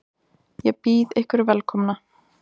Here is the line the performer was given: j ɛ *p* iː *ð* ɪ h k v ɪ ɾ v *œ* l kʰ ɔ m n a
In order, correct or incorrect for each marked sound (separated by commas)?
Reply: correct, correct, incorrect